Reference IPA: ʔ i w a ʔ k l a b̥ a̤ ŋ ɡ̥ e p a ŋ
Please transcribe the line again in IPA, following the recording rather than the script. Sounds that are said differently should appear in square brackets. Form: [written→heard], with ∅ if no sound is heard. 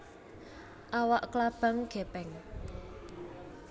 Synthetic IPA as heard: ʔ [i→a] w a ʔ k l a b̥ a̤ ŋ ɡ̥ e p [a→ɛ] ŋ